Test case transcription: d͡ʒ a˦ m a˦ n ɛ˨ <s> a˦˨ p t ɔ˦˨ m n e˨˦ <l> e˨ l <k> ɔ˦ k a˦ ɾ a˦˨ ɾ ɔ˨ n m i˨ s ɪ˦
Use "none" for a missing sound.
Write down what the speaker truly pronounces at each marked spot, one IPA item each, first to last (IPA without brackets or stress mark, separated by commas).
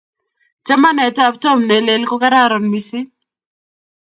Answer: t, l, k